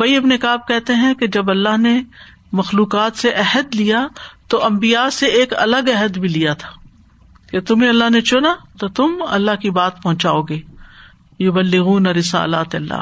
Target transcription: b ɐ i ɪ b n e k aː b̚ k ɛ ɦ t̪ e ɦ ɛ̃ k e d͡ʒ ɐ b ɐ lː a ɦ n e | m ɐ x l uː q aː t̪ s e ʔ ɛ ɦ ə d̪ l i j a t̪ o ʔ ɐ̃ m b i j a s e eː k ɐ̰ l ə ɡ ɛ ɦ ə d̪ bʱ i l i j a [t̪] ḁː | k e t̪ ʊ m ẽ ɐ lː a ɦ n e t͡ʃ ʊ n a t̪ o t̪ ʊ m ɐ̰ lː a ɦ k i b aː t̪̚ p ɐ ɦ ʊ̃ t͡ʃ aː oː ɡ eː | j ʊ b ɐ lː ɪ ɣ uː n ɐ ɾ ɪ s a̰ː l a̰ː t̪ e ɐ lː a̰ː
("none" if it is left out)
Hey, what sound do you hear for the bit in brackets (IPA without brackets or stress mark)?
t̪ʰ